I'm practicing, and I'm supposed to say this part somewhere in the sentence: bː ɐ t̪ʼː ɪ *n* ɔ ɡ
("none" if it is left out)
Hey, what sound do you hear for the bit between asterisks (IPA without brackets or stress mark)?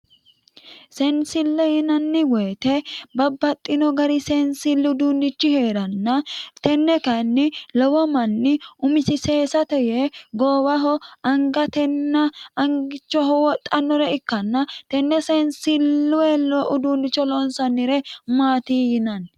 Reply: n